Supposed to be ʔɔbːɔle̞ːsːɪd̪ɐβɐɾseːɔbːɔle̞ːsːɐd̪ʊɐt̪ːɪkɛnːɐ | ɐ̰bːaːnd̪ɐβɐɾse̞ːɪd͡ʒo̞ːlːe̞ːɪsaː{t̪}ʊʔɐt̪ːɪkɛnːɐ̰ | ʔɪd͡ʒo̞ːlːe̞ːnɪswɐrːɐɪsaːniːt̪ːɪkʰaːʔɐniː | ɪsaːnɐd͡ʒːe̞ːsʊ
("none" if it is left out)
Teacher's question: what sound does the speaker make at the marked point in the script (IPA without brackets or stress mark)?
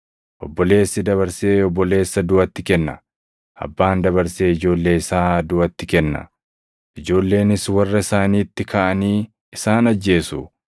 d̪